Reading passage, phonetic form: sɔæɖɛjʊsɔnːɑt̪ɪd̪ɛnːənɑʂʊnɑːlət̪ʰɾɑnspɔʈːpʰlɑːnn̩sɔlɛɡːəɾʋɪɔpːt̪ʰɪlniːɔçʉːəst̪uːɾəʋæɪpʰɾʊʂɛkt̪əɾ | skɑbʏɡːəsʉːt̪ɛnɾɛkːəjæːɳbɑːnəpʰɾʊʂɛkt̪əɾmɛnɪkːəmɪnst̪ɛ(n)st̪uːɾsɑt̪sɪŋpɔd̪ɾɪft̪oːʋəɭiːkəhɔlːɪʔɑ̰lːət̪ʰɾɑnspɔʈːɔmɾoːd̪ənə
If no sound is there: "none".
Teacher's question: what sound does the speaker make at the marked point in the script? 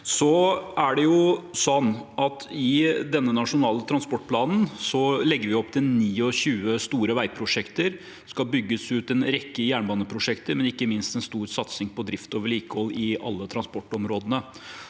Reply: n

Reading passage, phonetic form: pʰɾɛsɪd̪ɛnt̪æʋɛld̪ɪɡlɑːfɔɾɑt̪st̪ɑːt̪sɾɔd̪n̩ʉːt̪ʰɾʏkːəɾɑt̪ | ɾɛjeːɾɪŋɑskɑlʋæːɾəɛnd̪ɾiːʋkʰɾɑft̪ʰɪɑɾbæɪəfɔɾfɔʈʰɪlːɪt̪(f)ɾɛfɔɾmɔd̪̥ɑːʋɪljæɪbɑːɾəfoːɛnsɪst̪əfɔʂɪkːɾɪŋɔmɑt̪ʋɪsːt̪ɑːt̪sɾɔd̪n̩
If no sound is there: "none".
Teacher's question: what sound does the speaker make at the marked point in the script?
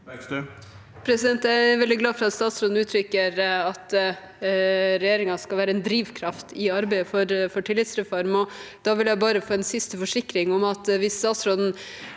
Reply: s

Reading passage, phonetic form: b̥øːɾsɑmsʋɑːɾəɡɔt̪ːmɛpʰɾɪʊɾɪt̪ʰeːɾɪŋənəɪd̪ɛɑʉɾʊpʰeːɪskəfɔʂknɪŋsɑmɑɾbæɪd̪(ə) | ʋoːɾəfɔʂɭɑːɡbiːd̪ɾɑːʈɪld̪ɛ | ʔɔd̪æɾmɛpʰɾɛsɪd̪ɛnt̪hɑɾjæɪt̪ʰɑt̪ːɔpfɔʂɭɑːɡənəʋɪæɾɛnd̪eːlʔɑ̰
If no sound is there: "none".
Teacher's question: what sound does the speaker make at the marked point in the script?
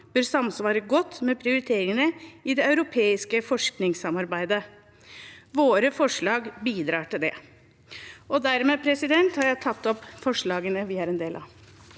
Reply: ə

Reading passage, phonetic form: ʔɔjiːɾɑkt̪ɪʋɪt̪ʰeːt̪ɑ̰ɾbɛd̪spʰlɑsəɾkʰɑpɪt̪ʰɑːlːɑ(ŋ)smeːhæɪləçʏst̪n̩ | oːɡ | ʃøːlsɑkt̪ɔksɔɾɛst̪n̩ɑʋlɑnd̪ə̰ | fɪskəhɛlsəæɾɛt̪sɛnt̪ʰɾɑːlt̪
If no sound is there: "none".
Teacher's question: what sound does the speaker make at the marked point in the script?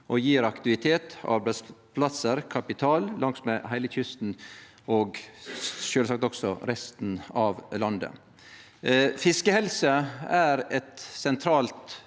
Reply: ŋ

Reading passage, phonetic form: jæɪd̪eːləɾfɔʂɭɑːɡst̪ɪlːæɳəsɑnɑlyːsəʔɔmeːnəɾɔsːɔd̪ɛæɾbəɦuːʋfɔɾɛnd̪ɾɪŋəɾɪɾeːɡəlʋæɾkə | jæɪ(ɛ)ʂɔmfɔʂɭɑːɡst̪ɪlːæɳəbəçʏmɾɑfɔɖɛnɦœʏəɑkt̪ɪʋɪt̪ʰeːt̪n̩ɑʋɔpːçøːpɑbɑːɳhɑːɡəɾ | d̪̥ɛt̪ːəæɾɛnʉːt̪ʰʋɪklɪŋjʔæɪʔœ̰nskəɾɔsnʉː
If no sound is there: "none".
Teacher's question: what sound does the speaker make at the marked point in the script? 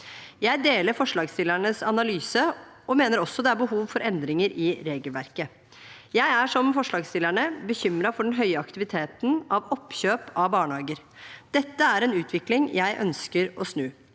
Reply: æ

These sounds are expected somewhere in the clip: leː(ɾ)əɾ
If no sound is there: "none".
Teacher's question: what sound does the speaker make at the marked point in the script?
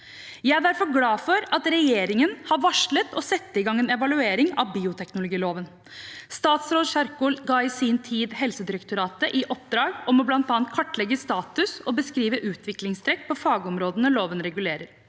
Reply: ɾ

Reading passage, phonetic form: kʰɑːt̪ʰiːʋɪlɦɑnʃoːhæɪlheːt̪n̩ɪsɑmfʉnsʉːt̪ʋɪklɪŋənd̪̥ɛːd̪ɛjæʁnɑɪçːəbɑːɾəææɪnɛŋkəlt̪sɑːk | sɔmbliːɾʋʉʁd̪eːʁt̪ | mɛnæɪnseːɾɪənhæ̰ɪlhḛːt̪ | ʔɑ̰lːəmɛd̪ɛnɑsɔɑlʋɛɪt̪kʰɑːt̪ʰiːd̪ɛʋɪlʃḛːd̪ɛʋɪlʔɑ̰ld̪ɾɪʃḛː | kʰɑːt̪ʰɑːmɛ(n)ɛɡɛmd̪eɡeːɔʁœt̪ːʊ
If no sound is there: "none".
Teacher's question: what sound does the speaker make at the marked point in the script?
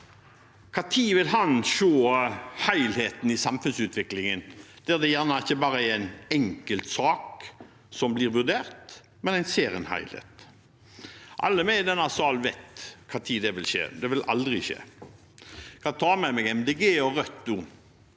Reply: m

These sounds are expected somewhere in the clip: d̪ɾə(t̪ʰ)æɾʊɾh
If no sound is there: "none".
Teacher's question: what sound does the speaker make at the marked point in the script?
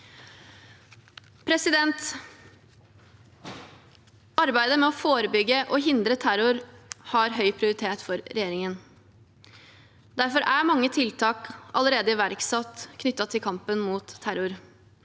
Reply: t̪ʰ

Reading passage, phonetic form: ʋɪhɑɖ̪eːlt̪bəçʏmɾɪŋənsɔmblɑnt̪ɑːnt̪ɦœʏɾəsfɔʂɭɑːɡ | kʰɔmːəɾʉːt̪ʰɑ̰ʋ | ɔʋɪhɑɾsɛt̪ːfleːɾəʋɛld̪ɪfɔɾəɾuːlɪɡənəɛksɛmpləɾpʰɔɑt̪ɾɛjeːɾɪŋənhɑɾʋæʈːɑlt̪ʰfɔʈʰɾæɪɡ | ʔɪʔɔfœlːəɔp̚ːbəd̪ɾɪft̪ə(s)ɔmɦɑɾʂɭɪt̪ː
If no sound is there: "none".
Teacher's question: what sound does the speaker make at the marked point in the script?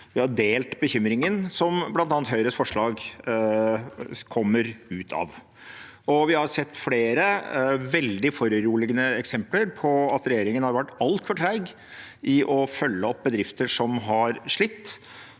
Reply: ʂ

